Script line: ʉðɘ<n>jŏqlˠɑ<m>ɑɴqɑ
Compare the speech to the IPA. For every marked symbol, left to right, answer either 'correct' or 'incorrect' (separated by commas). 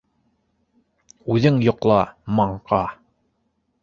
incorrect, correct